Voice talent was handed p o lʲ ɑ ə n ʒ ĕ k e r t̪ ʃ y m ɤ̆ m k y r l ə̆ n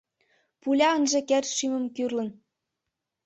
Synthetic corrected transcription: p u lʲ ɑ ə n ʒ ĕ k e r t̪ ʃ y m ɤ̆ m k y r l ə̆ n